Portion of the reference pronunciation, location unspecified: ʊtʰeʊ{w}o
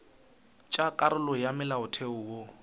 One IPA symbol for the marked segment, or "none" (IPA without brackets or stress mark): w